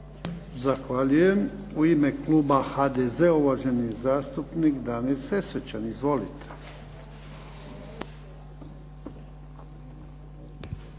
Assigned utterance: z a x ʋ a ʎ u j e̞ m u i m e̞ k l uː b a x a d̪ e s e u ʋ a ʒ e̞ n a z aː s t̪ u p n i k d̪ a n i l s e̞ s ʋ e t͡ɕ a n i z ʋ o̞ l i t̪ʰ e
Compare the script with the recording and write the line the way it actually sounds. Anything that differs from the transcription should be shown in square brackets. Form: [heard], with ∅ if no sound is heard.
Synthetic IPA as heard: z a x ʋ a ʎ u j e̞ m u i m e̞ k l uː b a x a d̪ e [z] e u ʋ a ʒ e̞ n [i] z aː s t̪ u p n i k d̪ a n i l s e̞ s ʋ e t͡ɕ a n i z ʋ o̞ l i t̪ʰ e

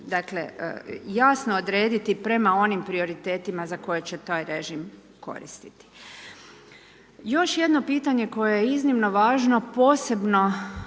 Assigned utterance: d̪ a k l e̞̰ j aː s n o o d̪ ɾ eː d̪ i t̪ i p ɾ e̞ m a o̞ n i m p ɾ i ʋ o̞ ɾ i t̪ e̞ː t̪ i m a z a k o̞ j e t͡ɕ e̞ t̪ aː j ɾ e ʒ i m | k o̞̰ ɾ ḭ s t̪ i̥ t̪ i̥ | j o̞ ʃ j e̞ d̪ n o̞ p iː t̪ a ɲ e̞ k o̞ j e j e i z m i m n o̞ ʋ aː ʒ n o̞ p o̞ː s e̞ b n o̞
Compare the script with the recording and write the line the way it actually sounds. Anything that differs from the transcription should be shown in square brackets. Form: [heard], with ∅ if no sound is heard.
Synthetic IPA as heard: d̪ a k l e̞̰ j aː s n o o d̪ ɾ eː d̪ i t̪ i p ɾ e̞ m a o̞ n i m p ɾ i [∅] o̞ ɾ i t̪ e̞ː t̪ i m a z a k o̞ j e t͡ɕ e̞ t̪ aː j ɾ e ʒ i m | k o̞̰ ɾ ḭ s t̪ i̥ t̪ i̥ | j o̞ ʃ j e̞ d̪ n o̞ p iː t̪ a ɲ e̞ k o̞ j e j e i z [n] i m n o̞ ʋ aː ʒ n o̞ p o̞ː s e̞ b n o̞

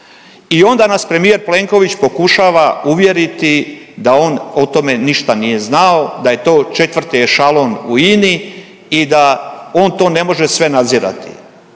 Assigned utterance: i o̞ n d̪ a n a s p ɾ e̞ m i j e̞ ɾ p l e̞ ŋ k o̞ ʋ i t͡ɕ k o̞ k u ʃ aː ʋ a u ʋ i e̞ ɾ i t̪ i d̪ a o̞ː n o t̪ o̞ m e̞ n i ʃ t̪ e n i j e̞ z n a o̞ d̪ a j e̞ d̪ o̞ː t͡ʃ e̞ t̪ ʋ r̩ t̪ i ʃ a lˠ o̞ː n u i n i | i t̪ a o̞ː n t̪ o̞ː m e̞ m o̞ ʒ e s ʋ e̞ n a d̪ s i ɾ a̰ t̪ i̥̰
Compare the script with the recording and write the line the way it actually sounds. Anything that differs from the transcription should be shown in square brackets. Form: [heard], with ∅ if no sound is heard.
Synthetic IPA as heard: i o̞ n d̪ a n a s p ɾ e̞ m i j e̞ ɾ p l e̞ ŋ k o̞ ʋ i t͡ɕ [p] o̞ k u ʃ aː ʋ a u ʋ [j] e̞ ɾ i t̪ i d̪ a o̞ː n o t̪ o̞ m e̞ n i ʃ t̪ [a] n i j e̞ z n a o̞ d̪ a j e̞ [t̪] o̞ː t͡ʃ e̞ t̪ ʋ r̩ t̪ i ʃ a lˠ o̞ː n u i n i | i [d̪] a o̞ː n t̪ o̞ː [n] e̞ m o̞ ʒ e s ʋ e̞ n a d̪ [z] i ɾ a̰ t̪ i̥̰

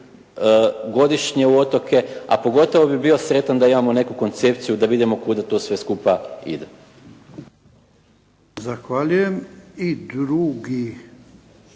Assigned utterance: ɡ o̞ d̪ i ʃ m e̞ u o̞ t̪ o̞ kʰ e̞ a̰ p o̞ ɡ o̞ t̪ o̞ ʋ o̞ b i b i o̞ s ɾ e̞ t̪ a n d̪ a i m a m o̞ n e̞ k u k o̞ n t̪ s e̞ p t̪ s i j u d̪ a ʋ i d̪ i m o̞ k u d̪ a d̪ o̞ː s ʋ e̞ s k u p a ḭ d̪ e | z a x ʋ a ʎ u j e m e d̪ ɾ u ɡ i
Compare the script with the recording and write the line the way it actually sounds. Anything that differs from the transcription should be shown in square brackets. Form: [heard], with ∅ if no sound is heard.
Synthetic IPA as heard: ɡ o̞ d̪ i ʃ [ɲ] e̞ u o̞ t̪ o̞ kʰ e̞ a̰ p o̞ ɡ o̞ t̪ o̞ ʋ o̞ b i b i o̞ s ɾ e̞ t̪ a n d̪ a i m a m o̞ n e̞ k u k o̞ n t̪ s e̞ p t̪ s i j u d̪ a ʋ i d̪ i m o̞ k u d̪ a [t̪] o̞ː s ʋ e̞ s k u p a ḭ d̪ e | z a x ʋ a ʎ u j e m [i] d̪ ɾ u ɡ i

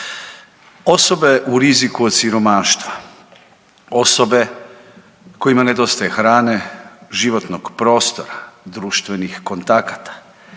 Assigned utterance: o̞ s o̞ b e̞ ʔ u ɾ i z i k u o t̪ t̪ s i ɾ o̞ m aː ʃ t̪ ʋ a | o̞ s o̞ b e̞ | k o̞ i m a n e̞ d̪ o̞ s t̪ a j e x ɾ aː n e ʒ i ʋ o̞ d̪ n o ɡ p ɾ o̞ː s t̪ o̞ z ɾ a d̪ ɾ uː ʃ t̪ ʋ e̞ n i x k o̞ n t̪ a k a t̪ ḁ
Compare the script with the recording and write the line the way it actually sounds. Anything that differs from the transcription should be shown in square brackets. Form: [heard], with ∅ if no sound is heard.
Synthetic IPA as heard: o̞ s o̞ b e̞ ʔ u ɾ i z i k u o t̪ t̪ s i ɾ o̞ m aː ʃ t̪ ʋ a | o̞ s o̞ b e̞ | k o̞ i m a n e̞ d̪ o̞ s t̪ a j e x ɾ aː n e ʒ i ʋ o̞ [t̪] n o ɡ p ɾ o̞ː s t̪ o̞ [∅] ɾ a d̪ ɾ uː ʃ t̪ ʋ e̞ n i x k o̞ n t̪ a k a t̪ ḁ

